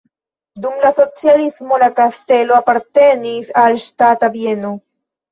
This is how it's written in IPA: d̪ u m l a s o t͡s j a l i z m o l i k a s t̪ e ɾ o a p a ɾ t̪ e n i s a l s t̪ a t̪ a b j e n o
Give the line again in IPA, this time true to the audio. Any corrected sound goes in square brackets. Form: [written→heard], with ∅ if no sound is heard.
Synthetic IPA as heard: d̪ u m l a s o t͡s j a l i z m o l [i→a] k a s t̪ e [ɾ→l] o a p a ɾ t̪ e n i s a l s t̪ a t̪ a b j e n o